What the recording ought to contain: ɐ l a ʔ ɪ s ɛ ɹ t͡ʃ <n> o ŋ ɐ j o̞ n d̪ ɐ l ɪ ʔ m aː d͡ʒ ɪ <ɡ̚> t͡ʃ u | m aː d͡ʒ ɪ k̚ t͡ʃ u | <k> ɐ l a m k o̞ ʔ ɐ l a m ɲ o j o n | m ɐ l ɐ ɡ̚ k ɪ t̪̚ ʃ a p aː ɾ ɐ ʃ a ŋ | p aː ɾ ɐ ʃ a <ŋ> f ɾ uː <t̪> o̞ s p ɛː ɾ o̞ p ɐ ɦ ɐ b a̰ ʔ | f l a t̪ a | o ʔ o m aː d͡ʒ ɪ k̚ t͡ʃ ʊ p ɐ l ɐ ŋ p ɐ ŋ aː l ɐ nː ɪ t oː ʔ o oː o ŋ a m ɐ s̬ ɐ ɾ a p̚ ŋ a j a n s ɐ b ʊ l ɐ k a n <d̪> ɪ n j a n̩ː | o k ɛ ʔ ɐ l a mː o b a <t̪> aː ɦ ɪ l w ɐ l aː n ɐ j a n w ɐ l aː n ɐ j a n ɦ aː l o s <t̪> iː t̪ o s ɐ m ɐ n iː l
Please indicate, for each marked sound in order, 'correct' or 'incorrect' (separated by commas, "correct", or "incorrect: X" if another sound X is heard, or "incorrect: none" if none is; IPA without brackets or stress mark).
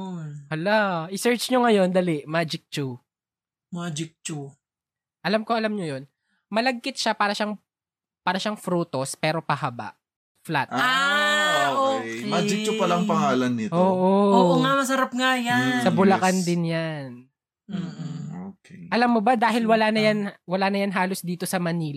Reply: incorrect: ɲ, incorrect: k̚, incorrect: ʔ, correct, correct, correct, incorrect: d̪, incorrect: d̪